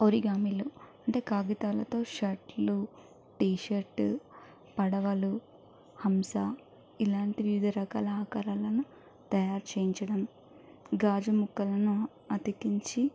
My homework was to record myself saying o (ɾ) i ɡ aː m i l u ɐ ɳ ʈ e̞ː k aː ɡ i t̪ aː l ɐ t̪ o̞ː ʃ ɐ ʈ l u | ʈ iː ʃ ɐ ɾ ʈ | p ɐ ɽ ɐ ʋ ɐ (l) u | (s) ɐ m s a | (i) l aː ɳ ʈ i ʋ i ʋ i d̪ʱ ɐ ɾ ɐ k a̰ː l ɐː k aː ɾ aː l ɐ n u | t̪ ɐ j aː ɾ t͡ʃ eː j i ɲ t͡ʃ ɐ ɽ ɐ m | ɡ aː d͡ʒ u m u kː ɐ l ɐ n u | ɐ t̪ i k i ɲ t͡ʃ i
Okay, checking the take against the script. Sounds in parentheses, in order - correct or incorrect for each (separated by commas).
correct, correct, incorrect, correct